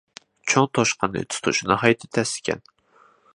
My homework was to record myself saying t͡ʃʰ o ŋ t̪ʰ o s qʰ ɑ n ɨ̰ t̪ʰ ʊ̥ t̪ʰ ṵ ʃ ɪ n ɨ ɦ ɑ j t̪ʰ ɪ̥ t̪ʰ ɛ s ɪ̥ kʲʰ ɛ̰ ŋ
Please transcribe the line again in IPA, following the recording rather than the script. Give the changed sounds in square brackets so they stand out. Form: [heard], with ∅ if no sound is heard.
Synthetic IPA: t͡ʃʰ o ŋ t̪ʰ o [ʃ] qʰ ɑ n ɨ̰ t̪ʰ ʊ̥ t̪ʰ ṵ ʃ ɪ n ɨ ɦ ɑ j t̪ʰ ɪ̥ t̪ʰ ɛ s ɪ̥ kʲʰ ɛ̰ [n]